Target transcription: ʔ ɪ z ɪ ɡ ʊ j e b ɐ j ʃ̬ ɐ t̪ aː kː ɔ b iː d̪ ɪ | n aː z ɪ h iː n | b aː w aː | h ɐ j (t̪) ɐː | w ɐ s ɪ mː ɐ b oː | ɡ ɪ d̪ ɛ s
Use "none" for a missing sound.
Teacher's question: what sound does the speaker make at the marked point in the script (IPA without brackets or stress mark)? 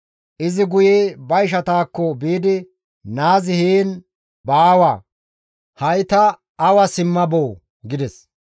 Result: t̪